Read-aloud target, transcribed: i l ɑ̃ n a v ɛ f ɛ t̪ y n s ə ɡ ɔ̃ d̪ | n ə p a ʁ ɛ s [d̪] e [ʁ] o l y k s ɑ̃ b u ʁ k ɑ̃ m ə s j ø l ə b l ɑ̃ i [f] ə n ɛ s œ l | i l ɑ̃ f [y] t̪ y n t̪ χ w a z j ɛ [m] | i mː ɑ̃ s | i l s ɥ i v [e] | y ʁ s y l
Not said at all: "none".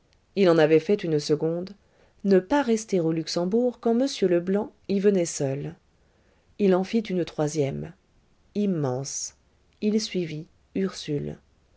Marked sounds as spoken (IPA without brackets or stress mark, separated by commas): t̪, ʁ, v, i, m, i